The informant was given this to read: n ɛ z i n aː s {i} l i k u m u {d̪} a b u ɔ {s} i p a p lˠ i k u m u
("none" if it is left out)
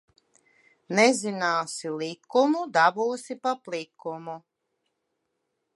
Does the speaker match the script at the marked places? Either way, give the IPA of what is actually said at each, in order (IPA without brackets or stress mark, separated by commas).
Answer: i, d̪, s